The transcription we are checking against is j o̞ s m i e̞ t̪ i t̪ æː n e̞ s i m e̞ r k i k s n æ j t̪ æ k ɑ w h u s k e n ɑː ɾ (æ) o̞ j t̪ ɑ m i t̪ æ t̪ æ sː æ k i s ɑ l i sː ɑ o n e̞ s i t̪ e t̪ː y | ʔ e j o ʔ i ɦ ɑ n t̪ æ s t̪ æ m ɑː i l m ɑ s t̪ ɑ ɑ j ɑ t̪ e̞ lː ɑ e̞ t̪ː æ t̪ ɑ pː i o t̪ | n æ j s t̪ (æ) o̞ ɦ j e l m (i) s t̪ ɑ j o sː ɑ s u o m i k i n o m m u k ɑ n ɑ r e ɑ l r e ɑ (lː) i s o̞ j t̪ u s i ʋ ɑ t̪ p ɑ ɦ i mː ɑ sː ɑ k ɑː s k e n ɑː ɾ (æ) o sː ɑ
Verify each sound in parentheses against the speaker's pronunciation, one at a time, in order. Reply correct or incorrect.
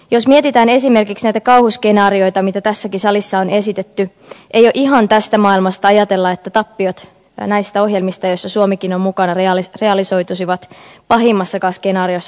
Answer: incorrect: i, correct, correct, incorrect: l, incorrect: i

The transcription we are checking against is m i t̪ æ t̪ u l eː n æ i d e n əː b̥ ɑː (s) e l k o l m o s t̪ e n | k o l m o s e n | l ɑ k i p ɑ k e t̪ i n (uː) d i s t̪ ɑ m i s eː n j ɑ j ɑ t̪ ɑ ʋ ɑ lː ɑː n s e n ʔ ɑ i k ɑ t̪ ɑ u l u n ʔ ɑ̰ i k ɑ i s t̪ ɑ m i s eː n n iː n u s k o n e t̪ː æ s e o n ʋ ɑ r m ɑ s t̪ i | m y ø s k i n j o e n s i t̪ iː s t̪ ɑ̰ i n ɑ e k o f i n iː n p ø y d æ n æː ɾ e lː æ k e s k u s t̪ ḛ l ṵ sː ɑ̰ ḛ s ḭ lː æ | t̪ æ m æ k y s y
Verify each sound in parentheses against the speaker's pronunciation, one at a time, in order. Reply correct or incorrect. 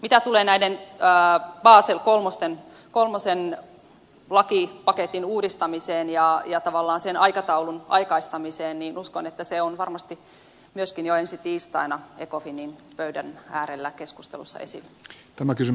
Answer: correct, correct

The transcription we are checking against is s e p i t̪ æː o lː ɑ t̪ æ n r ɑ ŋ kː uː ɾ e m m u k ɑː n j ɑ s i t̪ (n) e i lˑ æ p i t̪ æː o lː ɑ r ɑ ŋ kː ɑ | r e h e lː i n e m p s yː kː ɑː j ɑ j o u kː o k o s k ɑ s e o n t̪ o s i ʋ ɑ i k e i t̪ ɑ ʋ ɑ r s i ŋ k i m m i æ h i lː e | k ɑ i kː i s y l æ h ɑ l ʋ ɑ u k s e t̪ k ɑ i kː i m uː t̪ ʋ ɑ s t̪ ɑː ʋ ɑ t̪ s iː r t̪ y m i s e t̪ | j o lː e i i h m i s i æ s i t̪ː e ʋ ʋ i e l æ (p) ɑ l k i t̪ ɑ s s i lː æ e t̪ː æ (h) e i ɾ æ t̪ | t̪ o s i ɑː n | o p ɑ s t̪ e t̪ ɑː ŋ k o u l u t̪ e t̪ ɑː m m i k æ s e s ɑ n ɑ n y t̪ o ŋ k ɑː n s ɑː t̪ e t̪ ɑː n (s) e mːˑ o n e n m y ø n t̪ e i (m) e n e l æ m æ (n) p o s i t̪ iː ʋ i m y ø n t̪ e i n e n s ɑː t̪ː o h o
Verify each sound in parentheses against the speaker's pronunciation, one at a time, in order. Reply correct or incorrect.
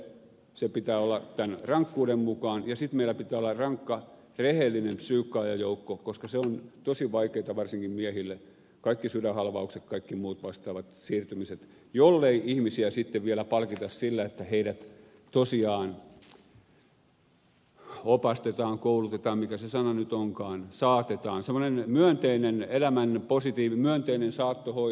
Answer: incorrect: m, correct, correct, correct, incorrect: n, correct

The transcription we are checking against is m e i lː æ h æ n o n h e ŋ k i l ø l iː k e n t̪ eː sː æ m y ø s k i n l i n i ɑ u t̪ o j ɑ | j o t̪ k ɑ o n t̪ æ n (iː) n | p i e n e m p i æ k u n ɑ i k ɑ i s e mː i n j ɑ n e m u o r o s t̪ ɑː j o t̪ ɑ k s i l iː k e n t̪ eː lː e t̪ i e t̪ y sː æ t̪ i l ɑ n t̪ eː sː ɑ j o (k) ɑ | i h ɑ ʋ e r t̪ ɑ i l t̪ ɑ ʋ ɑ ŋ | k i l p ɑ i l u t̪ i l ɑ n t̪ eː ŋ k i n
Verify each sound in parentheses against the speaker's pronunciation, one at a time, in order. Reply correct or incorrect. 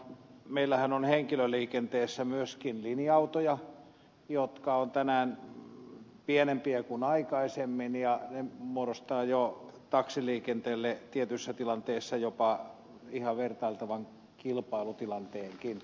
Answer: incorrect: æː, incorrect: p

